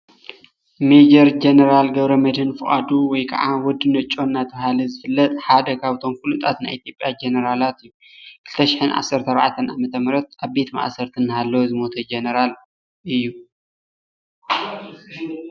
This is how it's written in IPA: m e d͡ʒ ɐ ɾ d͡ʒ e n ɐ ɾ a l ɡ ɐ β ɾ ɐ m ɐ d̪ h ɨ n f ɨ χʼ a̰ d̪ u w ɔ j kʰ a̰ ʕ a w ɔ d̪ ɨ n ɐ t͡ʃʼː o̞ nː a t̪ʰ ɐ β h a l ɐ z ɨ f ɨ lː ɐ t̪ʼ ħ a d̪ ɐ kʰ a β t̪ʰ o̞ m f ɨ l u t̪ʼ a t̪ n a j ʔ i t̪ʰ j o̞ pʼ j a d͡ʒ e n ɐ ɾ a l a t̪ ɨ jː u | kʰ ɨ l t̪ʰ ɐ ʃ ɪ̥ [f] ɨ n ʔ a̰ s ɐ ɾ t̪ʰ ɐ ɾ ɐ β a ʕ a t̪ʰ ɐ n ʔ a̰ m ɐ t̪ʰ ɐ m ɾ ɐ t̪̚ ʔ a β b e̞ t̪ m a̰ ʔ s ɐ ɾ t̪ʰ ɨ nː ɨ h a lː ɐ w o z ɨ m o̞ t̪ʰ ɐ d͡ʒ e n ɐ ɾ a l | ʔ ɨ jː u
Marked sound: incorrect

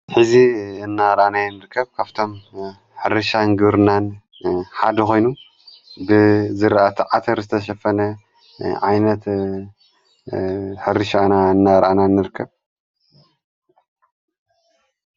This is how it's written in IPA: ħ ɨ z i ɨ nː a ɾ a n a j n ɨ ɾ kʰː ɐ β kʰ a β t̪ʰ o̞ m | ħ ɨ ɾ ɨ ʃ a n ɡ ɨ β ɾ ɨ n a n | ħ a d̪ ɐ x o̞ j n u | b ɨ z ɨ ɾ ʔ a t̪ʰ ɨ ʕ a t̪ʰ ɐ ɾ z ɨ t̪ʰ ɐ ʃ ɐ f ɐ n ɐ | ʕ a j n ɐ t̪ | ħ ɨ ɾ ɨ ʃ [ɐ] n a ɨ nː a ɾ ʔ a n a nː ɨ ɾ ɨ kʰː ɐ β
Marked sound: incorrect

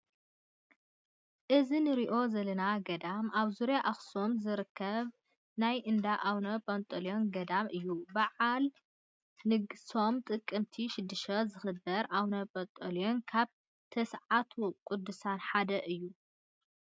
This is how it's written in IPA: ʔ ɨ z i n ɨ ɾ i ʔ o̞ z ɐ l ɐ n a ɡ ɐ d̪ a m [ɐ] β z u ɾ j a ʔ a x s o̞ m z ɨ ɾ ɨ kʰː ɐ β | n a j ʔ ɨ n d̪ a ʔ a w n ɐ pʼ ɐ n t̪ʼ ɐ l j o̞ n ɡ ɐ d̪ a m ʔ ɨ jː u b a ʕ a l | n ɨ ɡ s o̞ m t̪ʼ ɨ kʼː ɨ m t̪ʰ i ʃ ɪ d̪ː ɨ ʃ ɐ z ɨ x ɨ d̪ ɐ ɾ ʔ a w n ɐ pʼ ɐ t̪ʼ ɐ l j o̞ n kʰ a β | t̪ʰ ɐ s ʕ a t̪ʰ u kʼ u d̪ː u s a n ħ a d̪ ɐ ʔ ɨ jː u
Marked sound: incorrect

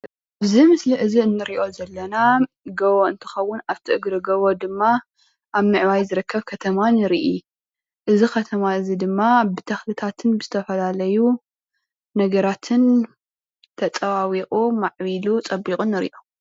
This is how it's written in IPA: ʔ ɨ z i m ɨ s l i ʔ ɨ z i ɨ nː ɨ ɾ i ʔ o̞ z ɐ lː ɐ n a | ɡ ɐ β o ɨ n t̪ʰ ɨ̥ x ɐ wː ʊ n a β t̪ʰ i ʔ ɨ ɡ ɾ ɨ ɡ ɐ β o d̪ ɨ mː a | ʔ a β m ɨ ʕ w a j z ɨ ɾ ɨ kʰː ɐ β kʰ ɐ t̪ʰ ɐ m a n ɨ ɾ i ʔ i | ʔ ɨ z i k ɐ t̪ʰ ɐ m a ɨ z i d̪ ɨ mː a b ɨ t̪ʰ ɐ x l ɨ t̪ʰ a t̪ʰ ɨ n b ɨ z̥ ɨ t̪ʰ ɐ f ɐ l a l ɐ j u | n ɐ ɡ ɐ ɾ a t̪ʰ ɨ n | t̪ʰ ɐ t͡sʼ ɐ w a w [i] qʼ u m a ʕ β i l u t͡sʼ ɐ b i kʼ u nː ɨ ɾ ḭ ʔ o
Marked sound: correct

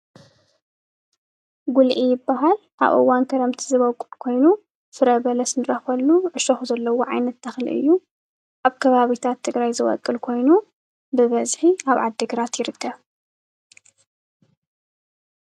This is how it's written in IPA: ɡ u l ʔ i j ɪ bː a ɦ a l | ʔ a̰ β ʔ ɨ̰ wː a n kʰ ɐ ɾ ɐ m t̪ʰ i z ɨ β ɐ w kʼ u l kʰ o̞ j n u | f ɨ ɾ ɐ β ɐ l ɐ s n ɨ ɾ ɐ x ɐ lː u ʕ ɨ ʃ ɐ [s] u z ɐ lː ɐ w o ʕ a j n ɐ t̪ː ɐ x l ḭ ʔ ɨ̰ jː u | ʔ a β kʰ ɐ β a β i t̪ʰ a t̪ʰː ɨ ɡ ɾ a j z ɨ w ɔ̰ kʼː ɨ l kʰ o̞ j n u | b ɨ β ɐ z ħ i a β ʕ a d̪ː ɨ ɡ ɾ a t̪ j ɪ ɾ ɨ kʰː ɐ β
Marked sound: incorrect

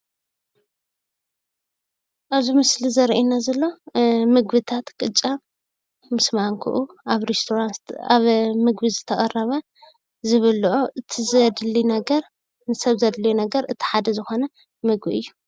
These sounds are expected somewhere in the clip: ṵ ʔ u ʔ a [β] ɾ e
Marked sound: correct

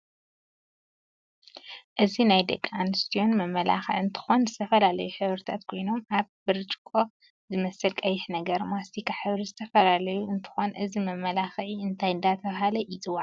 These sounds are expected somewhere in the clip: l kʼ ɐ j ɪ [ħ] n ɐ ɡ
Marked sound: correct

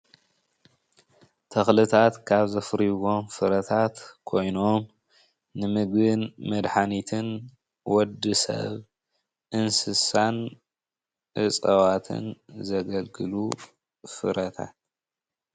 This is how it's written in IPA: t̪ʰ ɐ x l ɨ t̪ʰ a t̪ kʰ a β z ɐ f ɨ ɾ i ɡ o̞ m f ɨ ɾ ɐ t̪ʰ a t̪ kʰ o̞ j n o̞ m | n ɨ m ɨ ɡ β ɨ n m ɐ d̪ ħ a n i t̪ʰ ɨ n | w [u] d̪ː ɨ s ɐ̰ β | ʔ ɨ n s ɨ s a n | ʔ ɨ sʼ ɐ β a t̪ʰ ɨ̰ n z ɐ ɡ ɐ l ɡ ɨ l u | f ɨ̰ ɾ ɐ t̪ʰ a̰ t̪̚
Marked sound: incorrect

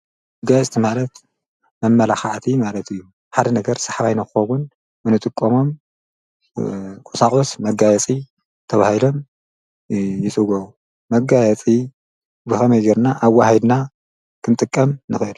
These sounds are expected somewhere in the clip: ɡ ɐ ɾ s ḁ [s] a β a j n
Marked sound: incorrect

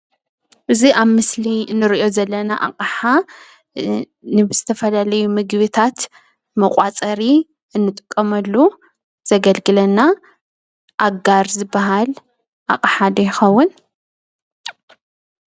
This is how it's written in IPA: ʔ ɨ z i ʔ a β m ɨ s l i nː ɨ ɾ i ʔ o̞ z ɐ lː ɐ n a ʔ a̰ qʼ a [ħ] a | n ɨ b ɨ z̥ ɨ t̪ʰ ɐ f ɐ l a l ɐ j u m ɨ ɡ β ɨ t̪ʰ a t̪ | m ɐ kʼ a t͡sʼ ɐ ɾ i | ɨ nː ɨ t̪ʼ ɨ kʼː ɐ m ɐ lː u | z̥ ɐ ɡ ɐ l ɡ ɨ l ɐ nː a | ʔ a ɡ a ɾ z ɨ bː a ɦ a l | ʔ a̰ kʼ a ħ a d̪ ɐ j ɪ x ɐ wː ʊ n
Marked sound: correct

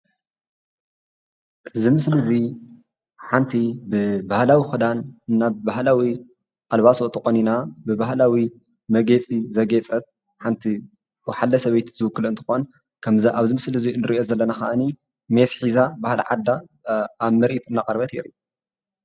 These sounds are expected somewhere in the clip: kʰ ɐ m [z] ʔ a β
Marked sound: correct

